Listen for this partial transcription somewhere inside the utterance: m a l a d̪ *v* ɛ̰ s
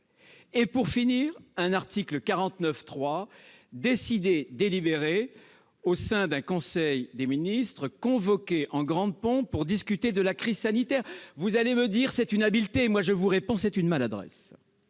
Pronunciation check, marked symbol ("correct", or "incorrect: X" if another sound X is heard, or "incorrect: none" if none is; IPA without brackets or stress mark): incorrect: ʁ